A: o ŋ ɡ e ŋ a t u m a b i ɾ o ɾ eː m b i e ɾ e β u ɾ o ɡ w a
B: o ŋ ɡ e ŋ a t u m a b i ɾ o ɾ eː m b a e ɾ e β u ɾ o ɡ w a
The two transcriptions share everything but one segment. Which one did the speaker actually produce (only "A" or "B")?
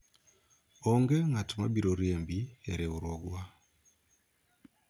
A